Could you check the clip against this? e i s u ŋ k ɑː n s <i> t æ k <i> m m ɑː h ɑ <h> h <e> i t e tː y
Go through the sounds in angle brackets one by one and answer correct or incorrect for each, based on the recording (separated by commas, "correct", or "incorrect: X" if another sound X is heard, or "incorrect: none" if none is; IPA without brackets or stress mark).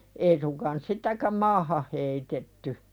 correct, incorrect: æ, correct, correct